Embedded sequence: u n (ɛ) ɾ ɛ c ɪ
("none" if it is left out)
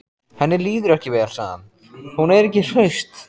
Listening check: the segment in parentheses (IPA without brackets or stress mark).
ɛ